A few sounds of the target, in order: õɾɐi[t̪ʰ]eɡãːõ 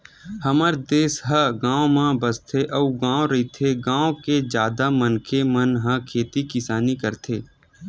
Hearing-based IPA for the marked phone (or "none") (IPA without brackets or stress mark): t̪ʰ